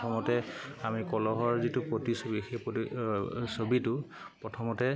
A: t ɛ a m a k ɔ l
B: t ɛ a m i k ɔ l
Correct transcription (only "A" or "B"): B